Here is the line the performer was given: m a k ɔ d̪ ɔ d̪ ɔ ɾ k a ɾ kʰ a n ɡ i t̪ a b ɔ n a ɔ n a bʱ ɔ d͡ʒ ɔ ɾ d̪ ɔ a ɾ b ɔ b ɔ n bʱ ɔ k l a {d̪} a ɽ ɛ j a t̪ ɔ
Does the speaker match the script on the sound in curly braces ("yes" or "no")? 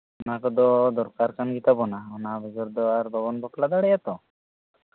yes